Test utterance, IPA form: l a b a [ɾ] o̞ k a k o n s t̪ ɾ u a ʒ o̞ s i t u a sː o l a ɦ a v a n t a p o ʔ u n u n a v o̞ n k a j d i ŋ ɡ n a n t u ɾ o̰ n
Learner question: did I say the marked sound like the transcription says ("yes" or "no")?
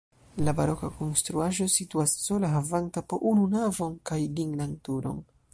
yes